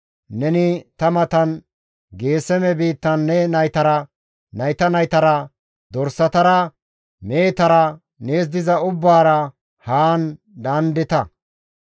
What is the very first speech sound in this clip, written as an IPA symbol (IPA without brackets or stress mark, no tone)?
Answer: n